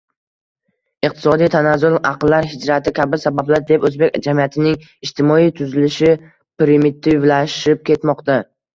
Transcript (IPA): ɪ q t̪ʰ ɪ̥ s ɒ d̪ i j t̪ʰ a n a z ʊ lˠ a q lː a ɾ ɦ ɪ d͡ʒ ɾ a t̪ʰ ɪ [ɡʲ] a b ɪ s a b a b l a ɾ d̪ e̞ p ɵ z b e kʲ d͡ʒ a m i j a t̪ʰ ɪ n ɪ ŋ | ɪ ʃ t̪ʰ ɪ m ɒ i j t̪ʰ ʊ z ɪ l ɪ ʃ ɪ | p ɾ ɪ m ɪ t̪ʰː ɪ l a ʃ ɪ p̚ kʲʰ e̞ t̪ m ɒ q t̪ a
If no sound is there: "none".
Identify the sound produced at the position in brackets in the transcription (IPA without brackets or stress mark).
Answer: kʲ